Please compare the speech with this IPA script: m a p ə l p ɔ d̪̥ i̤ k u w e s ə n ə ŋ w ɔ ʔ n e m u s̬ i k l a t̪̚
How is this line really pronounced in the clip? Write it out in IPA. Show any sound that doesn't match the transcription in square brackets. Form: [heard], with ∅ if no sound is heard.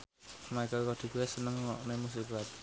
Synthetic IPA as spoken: m a [k] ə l [k] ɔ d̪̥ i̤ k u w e s ə n ə ŋ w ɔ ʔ n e m u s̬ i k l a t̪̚